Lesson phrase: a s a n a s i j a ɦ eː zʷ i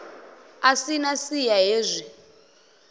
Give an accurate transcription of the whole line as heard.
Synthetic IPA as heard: a s i n a s i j a ɦ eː zʷ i